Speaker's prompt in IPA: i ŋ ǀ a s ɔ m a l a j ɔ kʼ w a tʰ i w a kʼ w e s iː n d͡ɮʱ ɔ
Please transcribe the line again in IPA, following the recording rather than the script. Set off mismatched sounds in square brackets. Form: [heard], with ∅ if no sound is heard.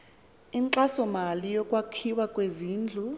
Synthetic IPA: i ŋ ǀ a s ɔ m a l [i] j ɔ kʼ w a [kʰ] i w a kʼ w e [z] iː n d͡ɮʱ [u]